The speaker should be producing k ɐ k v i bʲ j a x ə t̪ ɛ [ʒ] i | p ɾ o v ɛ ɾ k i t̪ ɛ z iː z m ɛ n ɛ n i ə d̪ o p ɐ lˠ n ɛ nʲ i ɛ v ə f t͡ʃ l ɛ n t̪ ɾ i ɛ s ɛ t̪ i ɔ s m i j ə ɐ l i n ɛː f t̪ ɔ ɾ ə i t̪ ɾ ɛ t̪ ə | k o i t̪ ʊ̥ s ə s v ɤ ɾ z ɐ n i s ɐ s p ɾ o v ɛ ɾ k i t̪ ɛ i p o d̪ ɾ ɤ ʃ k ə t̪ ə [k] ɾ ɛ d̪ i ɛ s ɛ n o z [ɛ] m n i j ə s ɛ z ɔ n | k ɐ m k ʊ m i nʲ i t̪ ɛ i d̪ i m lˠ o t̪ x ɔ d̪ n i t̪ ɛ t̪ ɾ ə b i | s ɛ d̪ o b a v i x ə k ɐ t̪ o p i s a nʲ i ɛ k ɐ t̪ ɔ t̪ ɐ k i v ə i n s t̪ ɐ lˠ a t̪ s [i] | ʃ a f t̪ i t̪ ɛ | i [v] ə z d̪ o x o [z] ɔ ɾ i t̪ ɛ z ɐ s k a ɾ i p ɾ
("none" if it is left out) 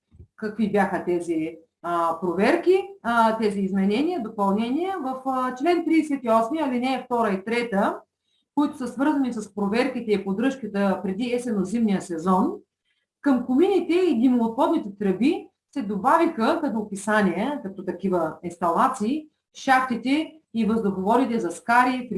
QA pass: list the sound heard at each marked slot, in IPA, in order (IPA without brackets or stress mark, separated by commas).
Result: z, p, i, iː, v, v